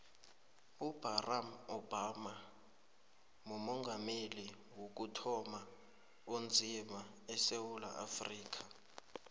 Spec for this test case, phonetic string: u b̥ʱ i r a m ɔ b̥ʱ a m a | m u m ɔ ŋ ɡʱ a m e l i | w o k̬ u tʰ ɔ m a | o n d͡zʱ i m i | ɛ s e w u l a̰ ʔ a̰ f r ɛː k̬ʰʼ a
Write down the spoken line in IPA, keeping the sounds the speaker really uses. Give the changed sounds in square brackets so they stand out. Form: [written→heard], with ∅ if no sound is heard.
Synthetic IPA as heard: u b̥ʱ [i→a] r a m ɔ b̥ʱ a m a | m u m ɔ ŋ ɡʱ a m e l i | w o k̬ u tʰ ɔ m a | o n d͡zʱ i m [i→a] | ɛ s e w u l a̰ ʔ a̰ f r [ɛː→iː] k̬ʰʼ a